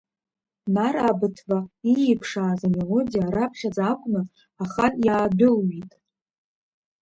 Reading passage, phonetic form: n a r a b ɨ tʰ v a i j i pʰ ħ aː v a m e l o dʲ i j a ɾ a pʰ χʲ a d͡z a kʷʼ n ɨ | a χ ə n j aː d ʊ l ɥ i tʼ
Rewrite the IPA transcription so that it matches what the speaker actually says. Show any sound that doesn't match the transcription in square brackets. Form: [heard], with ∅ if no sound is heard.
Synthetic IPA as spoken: n a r a b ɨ tʰ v a i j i pʰ [ʂ] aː [z] a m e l o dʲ i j a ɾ a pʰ χʲ a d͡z a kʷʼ n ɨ | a χ [a] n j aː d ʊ l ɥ i tʼ